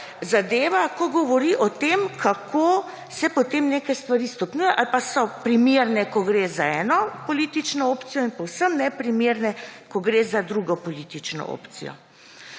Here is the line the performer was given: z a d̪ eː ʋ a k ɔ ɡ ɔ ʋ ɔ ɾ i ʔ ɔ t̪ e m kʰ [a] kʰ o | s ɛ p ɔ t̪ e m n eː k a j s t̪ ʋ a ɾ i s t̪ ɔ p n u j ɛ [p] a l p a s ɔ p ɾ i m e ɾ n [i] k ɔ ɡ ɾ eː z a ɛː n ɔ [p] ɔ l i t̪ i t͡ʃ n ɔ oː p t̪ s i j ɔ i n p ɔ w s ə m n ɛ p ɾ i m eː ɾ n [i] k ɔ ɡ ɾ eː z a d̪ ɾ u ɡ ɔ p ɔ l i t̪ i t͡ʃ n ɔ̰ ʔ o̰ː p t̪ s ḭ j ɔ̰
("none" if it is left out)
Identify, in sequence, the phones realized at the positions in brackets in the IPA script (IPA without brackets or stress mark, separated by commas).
a, ʔ, ɛ, p, ɛ